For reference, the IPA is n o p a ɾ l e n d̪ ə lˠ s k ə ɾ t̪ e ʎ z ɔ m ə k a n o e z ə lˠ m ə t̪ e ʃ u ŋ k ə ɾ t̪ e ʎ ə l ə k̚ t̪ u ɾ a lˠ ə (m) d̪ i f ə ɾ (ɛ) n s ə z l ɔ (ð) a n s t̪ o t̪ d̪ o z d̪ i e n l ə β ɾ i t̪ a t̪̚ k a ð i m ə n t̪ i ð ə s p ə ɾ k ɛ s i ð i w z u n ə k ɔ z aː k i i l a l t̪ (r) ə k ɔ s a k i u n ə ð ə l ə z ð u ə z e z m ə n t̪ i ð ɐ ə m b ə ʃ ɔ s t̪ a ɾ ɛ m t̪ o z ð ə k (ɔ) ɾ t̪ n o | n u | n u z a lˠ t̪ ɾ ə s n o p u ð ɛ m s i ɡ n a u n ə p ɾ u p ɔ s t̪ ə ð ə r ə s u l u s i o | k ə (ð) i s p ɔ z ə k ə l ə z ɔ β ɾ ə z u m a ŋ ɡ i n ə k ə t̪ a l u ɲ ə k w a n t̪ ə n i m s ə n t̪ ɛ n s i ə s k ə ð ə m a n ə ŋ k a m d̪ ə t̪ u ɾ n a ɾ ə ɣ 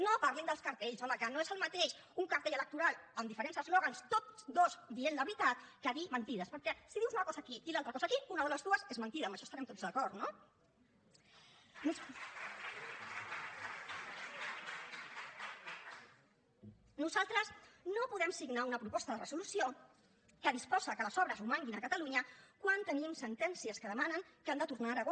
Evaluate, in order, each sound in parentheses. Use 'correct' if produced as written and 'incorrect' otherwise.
correct, incorrect, incorrect, incorrect, correct, correct

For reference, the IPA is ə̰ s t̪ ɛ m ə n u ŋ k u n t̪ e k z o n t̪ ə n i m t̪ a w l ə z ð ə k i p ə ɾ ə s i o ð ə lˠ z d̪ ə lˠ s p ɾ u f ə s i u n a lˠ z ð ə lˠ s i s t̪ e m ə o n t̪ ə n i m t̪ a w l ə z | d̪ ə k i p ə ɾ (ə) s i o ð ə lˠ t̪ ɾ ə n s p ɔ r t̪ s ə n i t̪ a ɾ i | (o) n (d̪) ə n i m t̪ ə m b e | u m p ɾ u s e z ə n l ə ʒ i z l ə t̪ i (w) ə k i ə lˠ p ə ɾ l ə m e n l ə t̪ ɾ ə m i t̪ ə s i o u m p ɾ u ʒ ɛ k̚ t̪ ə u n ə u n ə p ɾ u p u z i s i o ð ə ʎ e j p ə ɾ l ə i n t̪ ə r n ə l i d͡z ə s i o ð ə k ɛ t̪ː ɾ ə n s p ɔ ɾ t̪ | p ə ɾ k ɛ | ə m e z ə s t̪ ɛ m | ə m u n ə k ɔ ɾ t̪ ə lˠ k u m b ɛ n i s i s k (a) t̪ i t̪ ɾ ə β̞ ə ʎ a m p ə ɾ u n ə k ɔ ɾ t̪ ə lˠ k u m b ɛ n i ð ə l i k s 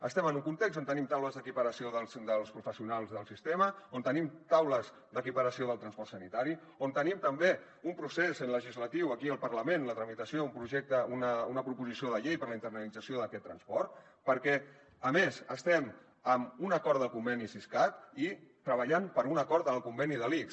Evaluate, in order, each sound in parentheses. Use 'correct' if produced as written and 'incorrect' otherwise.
correct, correct, incorrect, correct, correct

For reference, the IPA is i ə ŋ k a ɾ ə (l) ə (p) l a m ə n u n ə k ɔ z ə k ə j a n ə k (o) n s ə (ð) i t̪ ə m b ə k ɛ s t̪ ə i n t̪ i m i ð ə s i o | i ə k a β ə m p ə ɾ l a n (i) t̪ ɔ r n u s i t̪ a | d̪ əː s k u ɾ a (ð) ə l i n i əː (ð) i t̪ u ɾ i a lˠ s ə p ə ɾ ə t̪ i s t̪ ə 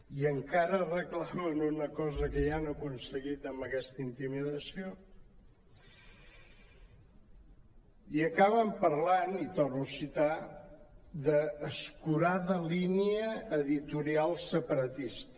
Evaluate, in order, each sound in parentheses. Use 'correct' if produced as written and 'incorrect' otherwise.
incorrect, incorrect, incorrect, incorrect, correct, correct, correct

